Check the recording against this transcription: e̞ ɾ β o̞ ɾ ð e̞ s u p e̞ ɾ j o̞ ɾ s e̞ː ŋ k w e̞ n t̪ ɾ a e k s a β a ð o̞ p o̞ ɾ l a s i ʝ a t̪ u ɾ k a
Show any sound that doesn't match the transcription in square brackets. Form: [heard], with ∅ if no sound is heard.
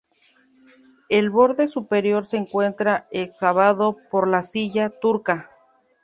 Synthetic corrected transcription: e̞ [l] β o̞ ɾ ð e̞ s u p e̞ ɾ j o̞ ɾ s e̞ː ŋ k w e̞ n t̪ ɾ a e k s a β a ð o̞ p o̞ ɾ l a s i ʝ a t̪ u ɾ k a